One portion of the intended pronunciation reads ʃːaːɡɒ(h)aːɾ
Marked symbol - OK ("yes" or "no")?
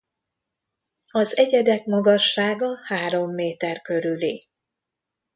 yes